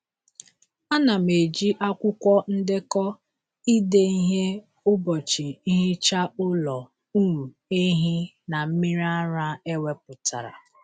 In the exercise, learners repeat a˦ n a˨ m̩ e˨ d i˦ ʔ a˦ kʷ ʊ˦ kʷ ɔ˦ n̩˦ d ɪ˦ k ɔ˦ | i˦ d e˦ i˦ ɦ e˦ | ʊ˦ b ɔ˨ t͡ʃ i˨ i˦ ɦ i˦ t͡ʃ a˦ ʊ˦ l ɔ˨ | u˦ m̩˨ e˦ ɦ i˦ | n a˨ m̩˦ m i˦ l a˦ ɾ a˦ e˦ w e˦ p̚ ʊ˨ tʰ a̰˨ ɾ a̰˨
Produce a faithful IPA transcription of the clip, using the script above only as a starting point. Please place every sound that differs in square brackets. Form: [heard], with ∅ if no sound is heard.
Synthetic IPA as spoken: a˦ n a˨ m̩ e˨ [d͡ʒ] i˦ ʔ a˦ kʷ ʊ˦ kʷ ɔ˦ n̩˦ d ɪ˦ k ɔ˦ | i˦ d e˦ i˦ ɦ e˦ | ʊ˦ b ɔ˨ t͡ʃ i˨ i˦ ɦ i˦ t͡ʃ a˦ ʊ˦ l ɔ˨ | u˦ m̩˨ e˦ ɦ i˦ | n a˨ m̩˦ m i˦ [ɾ] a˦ ɾ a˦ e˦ w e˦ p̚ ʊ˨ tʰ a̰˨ ɾ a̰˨